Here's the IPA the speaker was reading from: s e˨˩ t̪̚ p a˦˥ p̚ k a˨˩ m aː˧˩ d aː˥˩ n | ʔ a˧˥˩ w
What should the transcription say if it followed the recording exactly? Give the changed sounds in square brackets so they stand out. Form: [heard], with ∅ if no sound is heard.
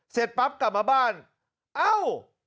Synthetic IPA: s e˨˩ t̪̚ p a˦˥ p̚ k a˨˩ m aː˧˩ [b] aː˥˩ n | ʔ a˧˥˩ w